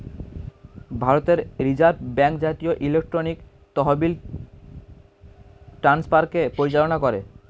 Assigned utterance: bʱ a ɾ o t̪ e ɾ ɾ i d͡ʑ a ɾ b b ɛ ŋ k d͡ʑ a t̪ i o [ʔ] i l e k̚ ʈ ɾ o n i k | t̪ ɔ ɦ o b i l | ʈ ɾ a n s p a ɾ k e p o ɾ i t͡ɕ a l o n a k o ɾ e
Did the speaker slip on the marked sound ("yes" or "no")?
no